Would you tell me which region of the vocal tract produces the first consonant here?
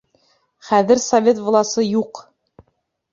uvula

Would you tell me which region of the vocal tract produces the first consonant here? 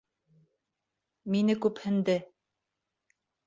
lips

